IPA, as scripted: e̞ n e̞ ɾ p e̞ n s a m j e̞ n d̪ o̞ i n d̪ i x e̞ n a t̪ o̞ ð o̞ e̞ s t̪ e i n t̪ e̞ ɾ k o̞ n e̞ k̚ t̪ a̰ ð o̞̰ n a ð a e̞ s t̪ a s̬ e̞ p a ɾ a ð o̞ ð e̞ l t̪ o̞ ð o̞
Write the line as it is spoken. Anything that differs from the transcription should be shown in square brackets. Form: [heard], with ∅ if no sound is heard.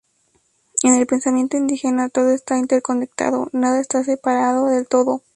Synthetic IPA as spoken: e̞ n e̞ [l] p e̞ n s a m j e̞ n [t̪] o̞ i n d̪ i x e̞ n a t̪ o̞ ð o̞ e̞ s t̪ [a] i n t̪ e̞ ɾ k o̞ n e̞ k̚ t̪ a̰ ð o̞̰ n a ð a e̞ s t̪ a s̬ e̞ p a ɾ a ð o̞ ð e̞ l t̪ o̞ ð o̞

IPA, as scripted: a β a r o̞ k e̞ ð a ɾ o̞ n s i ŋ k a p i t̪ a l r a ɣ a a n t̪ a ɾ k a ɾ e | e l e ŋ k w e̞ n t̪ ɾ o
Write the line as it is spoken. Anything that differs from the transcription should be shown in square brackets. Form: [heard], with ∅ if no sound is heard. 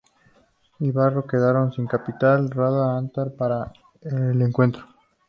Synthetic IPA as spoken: [i] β a r o̞ k e̞ ð a ɾ o̞ n s i ŋ k a p i t̪ a l r a [ð] a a n t̪ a ɾ [p] a ɾ [a] | e l e ŋ k w e̞ n t̪ ɾ o

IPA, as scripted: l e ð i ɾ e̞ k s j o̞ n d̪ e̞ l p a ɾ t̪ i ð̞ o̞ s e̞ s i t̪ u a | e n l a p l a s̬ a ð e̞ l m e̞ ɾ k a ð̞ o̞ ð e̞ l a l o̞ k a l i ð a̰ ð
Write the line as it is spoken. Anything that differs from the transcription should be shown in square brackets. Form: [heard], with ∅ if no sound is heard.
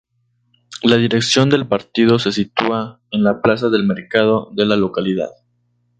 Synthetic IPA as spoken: l [a] ð i ɾ e̞ k s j o̞ n d̪ e̞ l p a ɾ t̪ i ð̞ o̞ s e̞ s i t̪ u a | e n l a p l a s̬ a ð e̞ l m e̞ ɾ k a ð̞ o̞ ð e̞ l a l o̞ k a l i ð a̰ ð

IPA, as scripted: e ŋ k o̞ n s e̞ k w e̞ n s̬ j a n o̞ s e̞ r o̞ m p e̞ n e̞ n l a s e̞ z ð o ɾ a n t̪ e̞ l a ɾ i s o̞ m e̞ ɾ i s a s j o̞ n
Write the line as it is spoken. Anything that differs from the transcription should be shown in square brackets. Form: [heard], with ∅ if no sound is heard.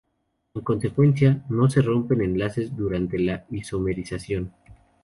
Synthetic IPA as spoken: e ŋ k o̞ n s e̞ k w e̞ n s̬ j a n o̞ s e̞ r o̞ m p e̞ n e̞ n l a s e̞ z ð [u] ɾ a n t̪ e̞ l a [∅] i s o̞ m e̞ ɾ i s a s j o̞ n

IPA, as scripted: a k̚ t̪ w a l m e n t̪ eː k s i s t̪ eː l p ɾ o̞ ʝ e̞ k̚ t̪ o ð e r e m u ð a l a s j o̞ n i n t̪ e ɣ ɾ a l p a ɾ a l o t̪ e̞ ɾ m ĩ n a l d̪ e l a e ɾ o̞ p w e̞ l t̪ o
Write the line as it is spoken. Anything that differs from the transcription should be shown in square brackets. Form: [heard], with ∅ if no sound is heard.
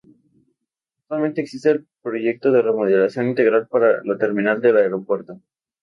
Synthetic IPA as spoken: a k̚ t̪ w a l m e n t̪ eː k s i s t̪ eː l p ɾ o̞ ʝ e̞ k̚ t̪ o ð e r e m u ð [e] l a s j o̞ n i n t̪ e ɣ ɾ a l p a ɾ a l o t̪ e̞ ɾ m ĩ n a l d̪ e l a e ɾ o̞ p w e̞ [ɾ] t̪ o

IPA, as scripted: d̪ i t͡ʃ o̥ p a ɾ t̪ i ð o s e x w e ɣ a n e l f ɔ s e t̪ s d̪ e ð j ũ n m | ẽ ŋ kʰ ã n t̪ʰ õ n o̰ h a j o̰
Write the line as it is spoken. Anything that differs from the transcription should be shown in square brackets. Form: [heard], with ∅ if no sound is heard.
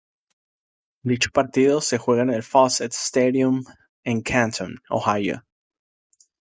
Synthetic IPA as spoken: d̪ i t͡ʃ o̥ p a ɾ t̪ i ð o s e x w e ɣ a n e l f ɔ s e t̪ s [t̪] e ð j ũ [∅] m | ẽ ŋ kʰ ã n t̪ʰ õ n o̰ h a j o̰

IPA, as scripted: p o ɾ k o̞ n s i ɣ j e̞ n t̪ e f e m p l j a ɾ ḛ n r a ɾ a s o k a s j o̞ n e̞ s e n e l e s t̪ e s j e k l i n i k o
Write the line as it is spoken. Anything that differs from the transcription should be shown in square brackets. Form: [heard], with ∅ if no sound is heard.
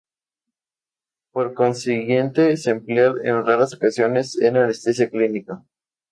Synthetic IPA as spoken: p o ɾ k o̞ n s i ɣ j e̞ n t̪ e [s] e m p l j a ɾ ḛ n r a ɾ a s o k a s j o̞ n e̞ s e n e l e s t̪ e s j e k l i n i k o

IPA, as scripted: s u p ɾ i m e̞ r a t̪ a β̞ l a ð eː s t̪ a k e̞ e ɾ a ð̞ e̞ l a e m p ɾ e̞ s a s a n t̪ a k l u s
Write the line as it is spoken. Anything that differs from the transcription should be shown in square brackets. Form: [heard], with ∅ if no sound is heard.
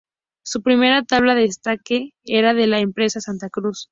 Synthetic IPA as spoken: s u p ɾ i m e̞ [ɾ] a t̪ a β̞ l a ð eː s t̪ a k e̞ e ɾ a ð̞ e̞ l a e m p ɾ e̞ s a s a n t̪ a k [ɾ] u s

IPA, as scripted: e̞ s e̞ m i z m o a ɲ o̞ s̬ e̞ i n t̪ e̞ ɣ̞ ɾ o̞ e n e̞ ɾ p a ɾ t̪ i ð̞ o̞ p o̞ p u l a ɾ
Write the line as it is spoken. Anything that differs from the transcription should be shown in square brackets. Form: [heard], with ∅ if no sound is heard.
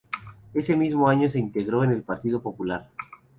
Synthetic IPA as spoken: e̞ s e̞ m i z m o a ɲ o̞ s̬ e̞ i n t̪ e̞ ɣ̞ ɾ o̞ e n e̞ [l] p a ɾ t̪ i ð̞ o̞ p o̞ p u l a ɾ

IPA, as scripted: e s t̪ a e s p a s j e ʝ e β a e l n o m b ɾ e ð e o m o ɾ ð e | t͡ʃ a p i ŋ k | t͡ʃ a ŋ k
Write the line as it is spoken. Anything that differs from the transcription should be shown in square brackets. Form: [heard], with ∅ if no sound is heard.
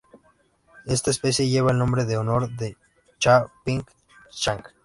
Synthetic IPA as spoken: e s t̪ a e s p [e] s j e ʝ e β a e l n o m b ɾ e ð e o [n] o ɾ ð e | t͡ʃ a p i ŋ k | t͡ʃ a ŋ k

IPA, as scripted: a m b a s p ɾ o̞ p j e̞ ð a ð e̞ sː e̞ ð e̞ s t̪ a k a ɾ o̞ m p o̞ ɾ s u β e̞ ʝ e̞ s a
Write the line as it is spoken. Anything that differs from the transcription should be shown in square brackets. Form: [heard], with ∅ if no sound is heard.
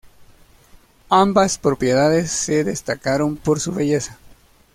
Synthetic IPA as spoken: a m b a s p ɾ o̞ p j e̞ ð a ð e̞ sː e̞ ð e̞ s t̪ a k a ɾ o̞ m p o̞ ɾ s u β e̞ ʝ e̞ s a

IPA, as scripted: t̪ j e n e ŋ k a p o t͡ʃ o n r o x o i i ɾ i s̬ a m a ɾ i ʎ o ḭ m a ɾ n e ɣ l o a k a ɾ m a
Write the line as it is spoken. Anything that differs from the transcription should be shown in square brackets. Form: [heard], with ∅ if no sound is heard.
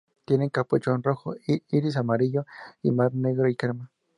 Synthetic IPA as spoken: t̪ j e n e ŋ k a p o t͡ʃ o n r o x o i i ɾ i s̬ a m a ɾ i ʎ o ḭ m a ɾ n e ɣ [ɾ] o [i] k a ɾ m a

